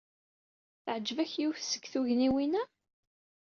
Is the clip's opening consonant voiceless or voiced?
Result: voiceless